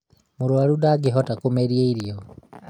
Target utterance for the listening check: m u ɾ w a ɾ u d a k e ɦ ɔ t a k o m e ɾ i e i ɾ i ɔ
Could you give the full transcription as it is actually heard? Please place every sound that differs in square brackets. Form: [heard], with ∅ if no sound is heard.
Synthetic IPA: m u ɾ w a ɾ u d a [ɡ] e ɦ ɔ t a k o m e ɾ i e i ɾ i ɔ

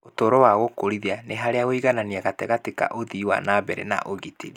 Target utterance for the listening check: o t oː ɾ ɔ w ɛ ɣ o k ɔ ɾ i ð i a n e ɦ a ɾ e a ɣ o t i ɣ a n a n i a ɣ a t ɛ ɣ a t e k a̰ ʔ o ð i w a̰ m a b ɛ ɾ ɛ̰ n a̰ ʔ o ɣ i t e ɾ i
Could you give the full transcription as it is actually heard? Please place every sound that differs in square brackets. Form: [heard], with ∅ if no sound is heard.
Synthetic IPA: o t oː ɾ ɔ w [a] ɣ o k [o] ɾ i ð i a n e ɦ a ɾ e a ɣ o [∅] i ɣ a n a n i a ɣ a t ɛ ɣ a t e k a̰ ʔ o ð i w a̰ [n] a b ɛ ɾ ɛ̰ n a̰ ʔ o ɣ i t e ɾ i

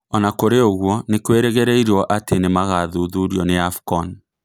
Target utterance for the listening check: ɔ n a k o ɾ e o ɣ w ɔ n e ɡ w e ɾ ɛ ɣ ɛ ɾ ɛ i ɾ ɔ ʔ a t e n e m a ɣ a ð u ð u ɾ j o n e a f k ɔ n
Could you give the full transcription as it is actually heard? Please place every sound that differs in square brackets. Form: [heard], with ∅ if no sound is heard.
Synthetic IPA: ɔ n a k o ɾ e o ɣ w ɔ n e [k] w e ɾ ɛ ɣ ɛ ɾ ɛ i ɾ ɔ ʔ a t e n e m a ɣ a ð u ð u ɾ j [ɔ] n e a f k ɔ n

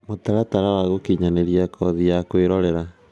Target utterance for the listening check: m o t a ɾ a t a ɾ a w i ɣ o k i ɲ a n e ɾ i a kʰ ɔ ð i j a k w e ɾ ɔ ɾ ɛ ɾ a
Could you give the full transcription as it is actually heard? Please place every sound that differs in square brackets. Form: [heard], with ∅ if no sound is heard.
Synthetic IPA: m o t a ɾ a t a ɾ a w [a] ɣ o k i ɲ a n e ɾ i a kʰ ɔ ð i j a k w e ɾ ɔ ɾ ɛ ɾ a

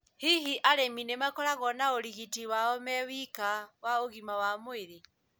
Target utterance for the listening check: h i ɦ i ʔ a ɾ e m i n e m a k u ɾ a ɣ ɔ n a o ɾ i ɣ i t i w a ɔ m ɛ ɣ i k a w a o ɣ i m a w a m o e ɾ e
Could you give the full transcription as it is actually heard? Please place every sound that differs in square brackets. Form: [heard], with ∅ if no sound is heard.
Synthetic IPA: h i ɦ i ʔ a ɾ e m i n e m a k [ɔ] ɾ a ɣ ɔ n a o ɾ i ɣ i t i w a ɔ m ɛ [w] i k a w a o ɣ i m a w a m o e ɾ e

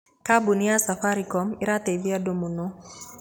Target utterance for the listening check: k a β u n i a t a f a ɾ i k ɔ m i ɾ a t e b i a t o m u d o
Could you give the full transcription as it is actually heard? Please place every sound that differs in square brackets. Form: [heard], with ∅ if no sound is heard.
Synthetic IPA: k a [b] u n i a [s] a f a ɾ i k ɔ m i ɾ a t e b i a [d] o m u [n] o

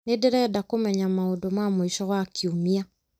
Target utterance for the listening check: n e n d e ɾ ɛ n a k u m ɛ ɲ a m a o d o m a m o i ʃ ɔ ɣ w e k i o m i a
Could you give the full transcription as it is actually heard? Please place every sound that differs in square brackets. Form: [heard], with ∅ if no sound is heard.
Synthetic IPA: n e [∅] d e ɾ ɛ [d] a k [o] m ɛ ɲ a m a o d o m a m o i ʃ ɔ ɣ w [a] k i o m i a

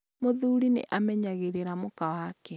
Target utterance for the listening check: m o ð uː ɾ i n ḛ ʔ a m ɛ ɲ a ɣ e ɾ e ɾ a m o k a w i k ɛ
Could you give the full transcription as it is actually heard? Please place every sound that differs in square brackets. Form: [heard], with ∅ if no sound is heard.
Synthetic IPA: m o ð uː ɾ i n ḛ ʔ a m ɛ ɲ a ɣ e ɾ e ɾ a m o k a w [a] k ɛ

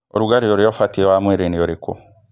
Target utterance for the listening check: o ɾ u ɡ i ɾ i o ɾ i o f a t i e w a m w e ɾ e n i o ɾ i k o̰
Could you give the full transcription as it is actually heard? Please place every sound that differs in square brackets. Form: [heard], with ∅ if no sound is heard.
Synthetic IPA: o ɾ u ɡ [a] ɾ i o ɾ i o f a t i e w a m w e ɾ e n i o ɾ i k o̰

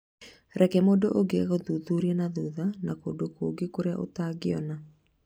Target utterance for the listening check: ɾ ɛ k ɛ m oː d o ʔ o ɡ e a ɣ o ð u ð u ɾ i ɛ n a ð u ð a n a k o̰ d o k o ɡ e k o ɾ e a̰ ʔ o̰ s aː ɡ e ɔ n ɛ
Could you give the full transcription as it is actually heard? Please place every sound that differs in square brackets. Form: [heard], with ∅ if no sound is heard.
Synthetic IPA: ɾ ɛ k ɛ m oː d o ʔ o ɡ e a ɣ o ð u ð u ɾ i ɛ n a ð u ð a n a k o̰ d o k o ɡ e k o ɾ e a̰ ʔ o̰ [t] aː ɡ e ɔ n [a]

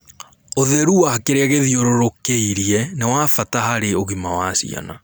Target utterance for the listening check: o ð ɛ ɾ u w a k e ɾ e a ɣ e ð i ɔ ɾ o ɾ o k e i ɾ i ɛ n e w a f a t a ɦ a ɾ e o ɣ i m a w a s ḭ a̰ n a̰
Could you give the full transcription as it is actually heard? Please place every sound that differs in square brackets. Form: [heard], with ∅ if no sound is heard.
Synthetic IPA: o ð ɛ ɾ u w a k e ɾ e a ɣ e ð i [o] ɾ o ɾ o k e i ɾ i ɛ n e w a f a t a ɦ a ɾ e o ɣ i m a w a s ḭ a̰ n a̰

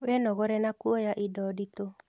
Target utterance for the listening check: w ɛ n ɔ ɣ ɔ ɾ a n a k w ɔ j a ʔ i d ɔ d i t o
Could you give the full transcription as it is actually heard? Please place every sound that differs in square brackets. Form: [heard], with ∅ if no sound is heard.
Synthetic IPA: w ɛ n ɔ ɣ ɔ ɾ [ɛ] n a k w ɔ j a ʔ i d ɔ d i t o

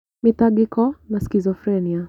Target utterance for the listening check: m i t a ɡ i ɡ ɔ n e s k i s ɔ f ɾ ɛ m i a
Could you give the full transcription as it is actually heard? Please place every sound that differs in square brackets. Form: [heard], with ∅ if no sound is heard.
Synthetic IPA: m i t a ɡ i [k] ɔ n [a] s k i [z] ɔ f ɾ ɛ [n] i a

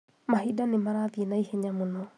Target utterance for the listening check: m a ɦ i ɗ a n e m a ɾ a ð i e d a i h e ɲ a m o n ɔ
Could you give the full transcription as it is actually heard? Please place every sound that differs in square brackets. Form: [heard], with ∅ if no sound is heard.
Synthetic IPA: m a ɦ i [d] a n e m a ɾ a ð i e [n] a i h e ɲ a m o n ɔ

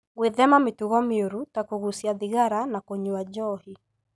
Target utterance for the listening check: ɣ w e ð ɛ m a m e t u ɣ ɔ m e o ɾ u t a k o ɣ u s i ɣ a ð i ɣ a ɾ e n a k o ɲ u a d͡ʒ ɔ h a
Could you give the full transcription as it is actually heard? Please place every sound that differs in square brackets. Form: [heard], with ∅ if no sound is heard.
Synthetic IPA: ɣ w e ð ɛ m a m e t u ɣ ɔ m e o ɾ u t a k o ɣ u s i [∅] a ð i ɣ a ɾ [a] n a k o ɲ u a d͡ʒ ɔ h [i]

